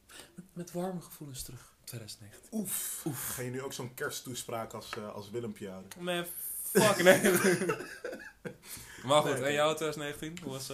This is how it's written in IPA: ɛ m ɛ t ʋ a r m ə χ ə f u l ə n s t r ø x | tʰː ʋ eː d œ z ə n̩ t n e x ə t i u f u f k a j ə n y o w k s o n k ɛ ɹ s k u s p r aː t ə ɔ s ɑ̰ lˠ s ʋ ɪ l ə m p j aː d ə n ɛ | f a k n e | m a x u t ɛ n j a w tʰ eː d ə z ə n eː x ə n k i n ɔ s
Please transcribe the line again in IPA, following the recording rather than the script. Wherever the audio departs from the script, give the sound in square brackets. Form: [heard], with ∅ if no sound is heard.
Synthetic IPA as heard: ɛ m ɛ t ʋ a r m ə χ ə f u l ə n s t r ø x | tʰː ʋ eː d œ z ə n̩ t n e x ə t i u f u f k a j ə n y o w k s o n k ɛ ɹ s [t] u s p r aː [k] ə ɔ s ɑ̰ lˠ s ʋ ɪ l ə m p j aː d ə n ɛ | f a k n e | m a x u t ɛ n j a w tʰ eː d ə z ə n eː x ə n [t] i n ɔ s